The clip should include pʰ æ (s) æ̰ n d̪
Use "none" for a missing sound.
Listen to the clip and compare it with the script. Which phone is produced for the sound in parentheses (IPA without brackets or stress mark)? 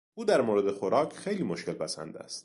s